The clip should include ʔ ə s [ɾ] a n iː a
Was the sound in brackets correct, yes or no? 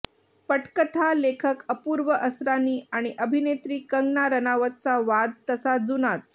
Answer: yes